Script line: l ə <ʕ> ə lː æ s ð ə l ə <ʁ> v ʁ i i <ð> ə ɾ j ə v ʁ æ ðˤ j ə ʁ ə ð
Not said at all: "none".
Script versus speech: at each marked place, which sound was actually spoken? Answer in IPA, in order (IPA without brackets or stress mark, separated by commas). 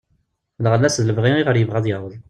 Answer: ʁ, none, ʁ